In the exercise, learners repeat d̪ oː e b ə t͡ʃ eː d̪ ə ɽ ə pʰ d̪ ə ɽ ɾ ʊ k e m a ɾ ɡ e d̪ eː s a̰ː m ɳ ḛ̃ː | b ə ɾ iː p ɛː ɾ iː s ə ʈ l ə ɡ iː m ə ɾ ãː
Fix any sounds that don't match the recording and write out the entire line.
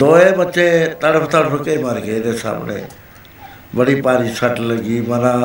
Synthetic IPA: d̪ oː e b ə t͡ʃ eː t̪ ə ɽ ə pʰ t̪ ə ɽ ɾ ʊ k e m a ɾ ɡ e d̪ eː s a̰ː m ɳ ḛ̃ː | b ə ɽ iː p aː ɾ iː s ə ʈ l ə ɡ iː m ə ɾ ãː